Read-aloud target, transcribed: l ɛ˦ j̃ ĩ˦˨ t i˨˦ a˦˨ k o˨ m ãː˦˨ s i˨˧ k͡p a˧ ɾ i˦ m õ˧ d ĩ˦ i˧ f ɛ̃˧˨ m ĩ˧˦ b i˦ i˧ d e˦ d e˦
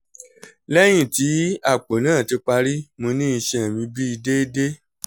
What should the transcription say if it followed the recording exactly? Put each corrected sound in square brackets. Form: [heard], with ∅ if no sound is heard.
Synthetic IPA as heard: l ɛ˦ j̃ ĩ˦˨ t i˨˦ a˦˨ [k͡p] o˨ [n] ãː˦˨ [t] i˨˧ k͡p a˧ ɾ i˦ m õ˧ [n] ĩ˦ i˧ [ʃ] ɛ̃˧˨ m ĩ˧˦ b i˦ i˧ d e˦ d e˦